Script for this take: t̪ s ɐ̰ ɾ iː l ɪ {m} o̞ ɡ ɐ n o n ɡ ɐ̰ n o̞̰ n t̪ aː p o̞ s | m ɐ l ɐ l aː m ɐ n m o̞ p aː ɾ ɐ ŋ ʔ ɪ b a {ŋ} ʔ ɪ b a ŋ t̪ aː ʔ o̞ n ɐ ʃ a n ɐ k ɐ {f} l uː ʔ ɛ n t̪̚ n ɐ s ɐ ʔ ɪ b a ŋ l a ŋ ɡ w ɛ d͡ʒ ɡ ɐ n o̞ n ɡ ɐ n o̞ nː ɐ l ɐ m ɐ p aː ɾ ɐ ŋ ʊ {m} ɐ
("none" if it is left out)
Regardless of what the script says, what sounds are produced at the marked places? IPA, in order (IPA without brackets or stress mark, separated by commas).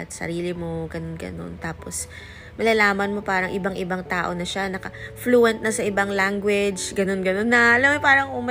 m, ŋ, f, m